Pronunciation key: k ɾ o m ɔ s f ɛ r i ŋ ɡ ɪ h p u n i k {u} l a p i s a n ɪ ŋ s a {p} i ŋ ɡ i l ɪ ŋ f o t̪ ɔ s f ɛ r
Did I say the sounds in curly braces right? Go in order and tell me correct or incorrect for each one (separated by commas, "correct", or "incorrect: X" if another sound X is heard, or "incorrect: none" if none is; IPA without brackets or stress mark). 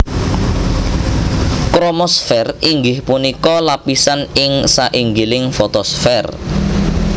incorrect: ɔ, incorrect: ʔ